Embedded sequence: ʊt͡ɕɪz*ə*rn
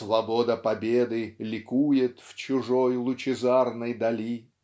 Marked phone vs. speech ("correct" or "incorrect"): incorrect